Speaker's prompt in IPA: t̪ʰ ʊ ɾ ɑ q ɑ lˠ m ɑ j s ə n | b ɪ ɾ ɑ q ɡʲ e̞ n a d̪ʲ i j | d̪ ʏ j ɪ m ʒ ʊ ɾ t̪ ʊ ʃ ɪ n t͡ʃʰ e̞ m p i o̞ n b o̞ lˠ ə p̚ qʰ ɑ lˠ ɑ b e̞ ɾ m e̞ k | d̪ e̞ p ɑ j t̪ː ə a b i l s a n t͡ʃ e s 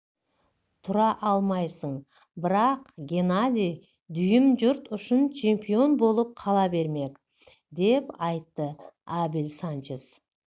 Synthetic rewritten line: t̪ʰ ʊ ɾ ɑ ʔ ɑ lˠ m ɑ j s ə ɴ | b ɪ ɾ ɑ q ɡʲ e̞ n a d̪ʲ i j | d̪ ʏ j ɪ m ʒ ʊ ɾ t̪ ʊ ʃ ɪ n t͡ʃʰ e̞ m p i o̞ n b o̞ lˠ ə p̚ qʰ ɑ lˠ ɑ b e̞ ɾ m e̞ k | d̪ e̞ p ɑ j t̪ː ə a b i l s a n t͡ʃ e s